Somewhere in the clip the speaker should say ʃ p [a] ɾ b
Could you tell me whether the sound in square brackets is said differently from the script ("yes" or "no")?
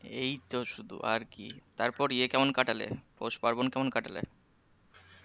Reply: no